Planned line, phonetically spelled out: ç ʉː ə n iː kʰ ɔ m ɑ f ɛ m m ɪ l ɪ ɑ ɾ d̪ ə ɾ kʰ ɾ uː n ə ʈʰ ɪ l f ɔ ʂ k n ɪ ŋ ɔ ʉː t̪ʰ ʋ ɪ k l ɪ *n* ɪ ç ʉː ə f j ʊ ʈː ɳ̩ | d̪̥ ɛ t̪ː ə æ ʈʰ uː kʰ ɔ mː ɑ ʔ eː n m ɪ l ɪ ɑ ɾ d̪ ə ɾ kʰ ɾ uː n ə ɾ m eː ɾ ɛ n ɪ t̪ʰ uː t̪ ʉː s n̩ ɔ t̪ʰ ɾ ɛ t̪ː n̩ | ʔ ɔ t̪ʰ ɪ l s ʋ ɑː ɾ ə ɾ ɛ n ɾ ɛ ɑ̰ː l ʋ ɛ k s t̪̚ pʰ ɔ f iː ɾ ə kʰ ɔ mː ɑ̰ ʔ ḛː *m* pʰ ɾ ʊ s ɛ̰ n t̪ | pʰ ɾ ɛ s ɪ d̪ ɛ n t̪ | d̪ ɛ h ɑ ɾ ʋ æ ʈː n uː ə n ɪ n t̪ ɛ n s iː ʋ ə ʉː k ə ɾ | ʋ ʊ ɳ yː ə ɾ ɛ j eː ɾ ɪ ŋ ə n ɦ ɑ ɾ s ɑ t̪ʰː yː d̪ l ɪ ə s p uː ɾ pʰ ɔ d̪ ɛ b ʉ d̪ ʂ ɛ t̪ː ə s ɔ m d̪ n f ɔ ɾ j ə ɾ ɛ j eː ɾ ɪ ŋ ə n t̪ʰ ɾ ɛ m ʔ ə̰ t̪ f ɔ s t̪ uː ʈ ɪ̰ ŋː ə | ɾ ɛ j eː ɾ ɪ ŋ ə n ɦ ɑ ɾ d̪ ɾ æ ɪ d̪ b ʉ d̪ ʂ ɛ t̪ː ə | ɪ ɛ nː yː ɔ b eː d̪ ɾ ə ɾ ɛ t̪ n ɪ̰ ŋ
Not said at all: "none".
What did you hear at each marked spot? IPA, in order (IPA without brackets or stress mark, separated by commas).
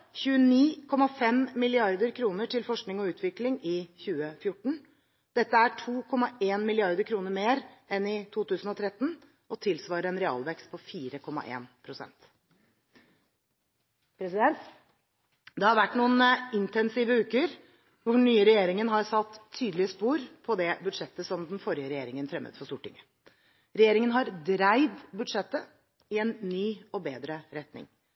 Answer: ŋ, n